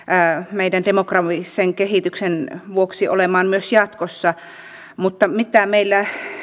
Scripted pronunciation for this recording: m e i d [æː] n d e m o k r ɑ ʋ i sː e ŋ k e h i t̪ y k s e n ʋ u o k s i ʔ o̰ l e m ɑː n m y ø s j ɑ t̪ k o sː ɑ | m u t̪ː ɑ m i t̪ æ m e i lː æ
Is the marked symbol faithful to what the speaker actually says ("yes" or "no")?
no